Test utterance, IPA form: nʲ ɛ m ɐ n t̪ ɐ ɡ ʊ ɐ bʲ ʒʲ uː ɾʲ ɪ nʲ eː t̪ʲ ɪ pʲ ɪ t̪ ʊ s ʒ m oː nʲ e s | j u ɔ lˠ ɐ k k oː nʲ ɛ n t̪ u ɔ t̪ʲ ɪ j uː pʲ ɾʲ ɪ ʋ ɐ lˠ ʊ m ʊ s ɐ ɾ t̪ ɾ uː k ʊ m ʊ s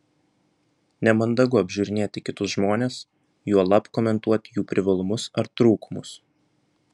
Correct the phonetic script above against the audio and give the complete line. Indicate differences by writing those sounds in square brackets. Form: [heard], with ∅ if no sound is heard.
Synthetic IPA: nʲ ɛ m ɐ n [d̪] ɐ ɡ ʊ ɐ bʲ ʒʲ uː ɾʲ ɪ nʲ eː t̪ʲ ɪ [kʲ] ɪ t̪ ʊ s ʒ m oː nʲ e s | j u ɔ lˠ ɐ [p] k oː [mʲ] ɛ n t̪ u ɔ t̪ʲ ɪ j uː pʲ ɾʲ ɪ ʋ ɐ lˠ ʊ m ʊ s ɐ ɾ t̪ ɾ uː k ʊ m ʊ s

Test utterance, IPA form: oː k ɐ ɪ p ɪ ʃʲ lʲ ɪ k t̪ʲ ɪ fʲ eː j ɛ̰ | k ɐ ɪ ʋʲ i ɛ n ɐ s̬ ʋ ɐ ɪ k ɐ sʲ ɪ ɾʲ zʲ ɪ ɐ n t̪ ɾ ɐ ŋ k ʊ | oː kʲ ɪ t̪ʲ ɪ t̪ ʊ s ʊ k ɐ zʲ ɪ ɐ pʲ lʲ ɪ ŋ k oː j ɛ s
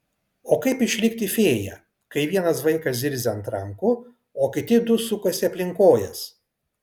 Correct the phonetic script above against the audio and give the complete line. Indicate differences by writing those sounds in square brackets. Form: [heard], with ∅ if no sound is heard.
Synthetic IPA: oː k ɐ ɪ p ɪ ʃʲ lʲ ɪ k t̪ʲ ɪ fʲ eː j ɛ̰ | k ɐ ɪ ʋʲ i ɛ n ɐ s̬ ʋ ɐ ɪ k ɐ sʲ ɪ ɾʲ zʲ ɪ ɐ n t̪ ɾ ɐ ŋ k ʊ | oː kʲ ɪ t̪ʲ ɪ [d̪] ʊ s ʊ k ɐ [sʲ] ɪ ɐ pʲ lʲ ɪ ŋ k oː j ɛ s

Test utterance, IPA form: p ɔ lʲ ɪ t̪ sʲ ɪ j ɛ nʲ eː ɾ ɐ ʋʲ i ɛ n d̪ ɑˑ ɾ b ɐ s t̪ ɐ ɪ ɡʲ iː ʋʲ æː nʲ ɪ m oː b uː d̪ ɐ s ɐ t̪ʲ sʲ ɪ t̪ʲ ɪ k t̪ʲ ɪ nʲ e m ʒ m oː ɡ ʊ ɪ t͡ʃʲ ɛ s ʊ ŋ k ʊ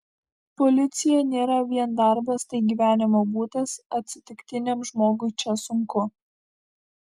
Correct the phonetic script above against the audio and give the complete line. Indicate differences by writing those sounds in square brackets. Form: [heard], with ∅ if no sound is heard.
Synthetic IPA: p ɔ lʲ ɪ t̪ sʲ ɪ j ɛ nʲ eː ɾ ɐ ʋʲ i ɛ n d̪ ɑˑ ɾ b ɐ s t̪ ɐ ɪ ɡʲ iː ʋʲ æː nʲ ɪ m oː b uː [t̪] ɐ s ɐ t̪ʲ sʲ ɪ t̪ʲ ɪ k t̪ʲ ɪ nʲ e m ʒ m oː ɡ ʊ ɪ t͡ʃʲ ɛ s ʊ ŋ k ʊ

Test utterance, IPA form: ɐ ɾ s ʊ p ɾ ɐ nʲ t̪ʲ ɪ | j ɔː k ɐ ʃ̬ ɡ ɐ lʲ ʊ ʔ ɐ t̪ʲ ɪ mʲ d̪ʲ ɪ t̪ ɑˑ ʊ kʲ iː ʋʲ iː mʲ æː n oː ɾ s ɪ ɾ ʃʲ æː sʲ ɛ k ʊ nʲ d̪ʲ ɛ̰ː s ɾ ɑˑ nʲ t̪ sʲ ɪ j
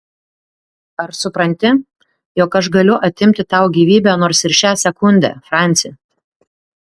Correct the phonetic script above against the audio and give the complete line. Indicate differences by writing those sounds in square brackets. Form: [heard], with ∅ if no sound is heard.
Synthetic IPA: ɐ ɾ s ʊ p ɾ ɐ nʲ t̪ʲ ɪ | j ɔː k ɐ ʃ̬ ɡ ɐ lʲ ʊ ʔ ɐ t̪ʲ ɪ mʲ [t̪ʲ] ɪ t̪ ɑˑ ʊ [ɡʲ] iː ʋʲ iː [bʲ] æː n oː ɾ s ɪ ɾ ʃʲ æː sʲ ɛ k ʊ nʲ d̪ʲ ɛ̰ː [f] ɾ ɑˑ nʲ t̪ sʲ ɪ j

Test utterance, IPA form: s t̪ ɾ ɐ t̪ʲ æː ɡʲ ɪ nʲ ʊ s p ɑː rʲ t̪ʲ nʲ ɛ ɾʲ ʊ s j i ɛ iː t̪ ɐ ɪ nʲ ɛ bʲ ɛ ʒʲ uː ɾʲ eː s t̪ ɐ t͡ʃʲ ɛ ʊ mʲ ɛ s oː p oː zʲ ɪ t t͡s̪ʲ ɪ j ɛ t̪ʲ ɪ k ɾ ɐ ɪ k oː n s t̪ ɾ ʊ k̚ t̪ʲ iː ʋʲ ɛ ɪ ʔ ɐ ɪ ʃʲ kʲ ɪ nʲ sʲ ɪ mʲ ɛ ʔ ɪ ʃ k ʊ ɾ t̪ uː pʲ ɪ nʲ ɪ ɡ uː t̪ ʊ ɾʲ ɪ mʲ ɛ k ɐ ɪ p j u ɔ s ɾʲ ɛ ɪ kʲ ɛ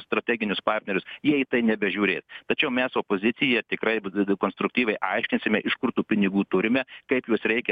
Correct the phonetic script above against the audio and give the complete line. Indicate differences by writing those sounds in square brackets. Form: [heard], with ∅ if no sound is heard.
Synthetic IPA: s t̪ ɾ ɐ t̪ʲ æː ɡʲ ɪ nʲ ʊ s p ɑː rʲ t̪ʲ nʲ ɛ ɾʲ ʊ s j i ɛ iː t̪ ɐ ɪ nʲ ɛ bʲ ɛ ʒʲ uː ɾʲ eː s t̪ ɐ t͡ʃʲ ɛ ʊ mʲ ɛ s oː p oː zʲ ɪ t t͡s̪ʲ ɪ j ɛ t̪ʲ ɪ k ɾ ɐ ɪ k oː n s t̪ ɾ ʊ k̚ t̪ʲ iː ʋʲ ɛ ɪ ʔ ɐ ɪ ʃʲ kʲ ɪ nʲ sʲ ɪ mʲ ɛ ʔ ɪ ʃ k ʊ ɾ t̪ uː pʲ ɪ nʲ ɪ ɡ uː t̪ ʊ ɾʲ ɪ mʲ ɛ k ɐ ɪ p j u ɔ s ɾʲ ɛ ɪ kʲ ɛ

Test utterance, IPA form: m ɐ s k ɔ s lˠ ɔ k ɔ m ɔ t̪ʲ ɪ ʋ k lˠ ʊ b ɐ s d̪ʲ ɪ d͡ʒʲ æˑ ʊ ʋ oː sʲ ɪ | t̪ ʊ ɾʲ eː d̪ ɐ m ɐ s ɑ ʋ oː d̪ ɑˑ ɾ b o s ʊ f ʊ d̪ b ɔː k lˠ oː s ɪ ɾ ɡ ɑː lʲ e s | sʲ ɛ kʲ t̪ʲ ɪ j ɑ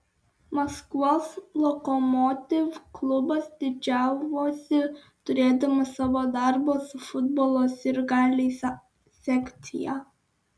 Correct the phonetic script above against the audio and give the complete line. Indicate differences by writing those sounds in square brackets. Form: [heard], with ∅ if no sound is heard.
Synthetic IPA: m ɐ s k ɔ s lˠ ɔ k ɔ m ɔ t̪ʲ ɪ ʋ k lˠ ʊ b ɐ s d̪ʲ ɪ d͡ʒʲ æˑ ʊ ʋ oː sʲ ɪ | t̪ ʊ ɾʲ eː d̪ ɐ m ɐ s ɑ ʋ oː d̪ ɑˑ ɾ b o s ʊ f ʊ d̪ b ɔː [∅] lˠ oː s ɪ ɾ ɡ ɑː lʲ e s | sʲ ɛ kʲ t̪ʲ ɪ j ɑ

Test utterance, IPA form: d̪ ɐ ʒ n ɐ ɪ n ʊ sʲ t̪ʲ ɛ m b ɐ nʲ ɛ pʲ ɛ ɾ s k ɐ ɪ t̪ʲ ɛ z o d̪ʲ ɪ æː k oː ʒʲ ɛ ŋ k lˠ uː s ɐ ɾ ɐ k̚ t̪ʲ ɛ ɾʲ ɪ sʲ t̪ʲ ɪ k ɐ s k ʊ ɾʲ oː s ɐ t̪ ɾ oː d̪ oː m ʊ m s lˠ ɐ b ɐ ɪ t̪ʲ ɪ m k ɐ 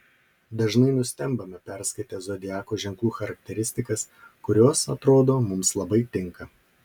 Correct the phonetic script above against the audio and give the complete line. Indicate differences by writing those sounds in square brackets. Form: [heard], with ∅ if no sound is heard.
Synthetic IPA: d̪ ɐ ʒ n ɐ ɪ n ʊ sʲ t̪ʲ ɛ m b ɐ [mʲ] ɛ pʲ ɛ ɾ s k ɐ ɪ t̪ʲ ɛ z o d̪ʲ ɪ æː k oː ʒʲ ɛ ŋ k lˠ uː [x] ɐ ɾ ɐ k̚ t̪ʲ ɛ ɾʲ ɪ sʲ t̪ʲ ɪ k ɐ s k ʊ ɾʲ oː s ɐ t̪ ɾ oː d̪ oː m ʊ m s lˠ ɐ b ɐ ɪ t̪ʲ ɪ [ŋ] k ɐ

